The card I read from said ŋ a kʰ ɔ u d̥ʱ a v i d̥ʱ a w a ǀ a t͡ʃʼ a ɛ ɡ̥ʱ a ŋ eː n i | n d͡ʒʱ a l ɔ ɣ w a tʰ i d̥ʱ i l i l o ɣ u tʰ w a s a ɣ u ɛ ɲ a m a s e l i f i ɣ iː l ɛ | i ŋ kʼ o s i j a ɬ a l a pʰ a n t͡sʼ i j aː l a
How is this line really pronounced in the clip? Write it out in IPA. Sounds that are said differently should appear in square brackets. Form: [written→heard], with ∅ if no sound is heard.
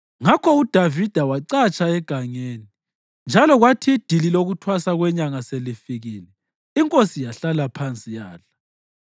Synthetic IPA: ŋ a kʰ ɔ u d̥ʱ a v i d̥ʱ a w a ǀ a t͡ʃʼ a ɛ ɡ̥ʱ a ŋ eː n i | n d͡ʒʱ a l ɔ ɣ w a tʰ i d̥ʱ i l i l o ɣ u tʰ w a s a ɣ [u→w] ɛ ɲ a [m→ŋ] a s e l i f i ɣ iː l ɛ | i ŋ kʼ o s i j a ɬ a l a pʰ a n t͡sʼ i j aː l a